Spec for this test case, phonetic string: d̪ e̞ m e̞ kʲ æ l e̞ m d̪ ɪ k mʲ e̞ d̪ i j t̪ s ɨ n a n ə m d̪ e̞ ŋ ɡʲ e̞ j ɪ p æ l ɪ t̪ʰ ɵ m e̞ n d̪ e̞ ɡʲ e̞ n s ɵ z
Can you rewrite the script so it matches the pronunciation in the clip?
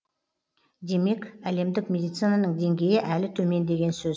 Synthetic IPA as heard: d̪ e̞ m e̞ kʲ æ l e̞ m d̪ ɪ k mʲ e̞ d̪ i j t̪ s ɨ n a n ə ɴ d̪ e̞ ŋ ɡʲ e̞ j ɪ ʔ æ l ɪ t̪ʰ ɵ m e̞ n d̪ e̞ ɡʲ e̞ n s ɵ z